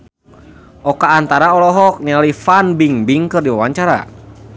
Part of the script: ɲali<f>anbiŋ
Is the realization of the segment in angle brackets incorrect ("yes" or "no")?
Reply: no